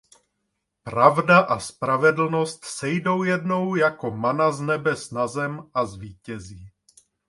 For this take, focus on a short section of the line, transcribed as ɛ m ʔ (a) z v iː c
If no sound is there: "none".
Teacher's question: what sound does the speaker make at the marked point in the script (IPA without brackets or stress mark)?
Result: a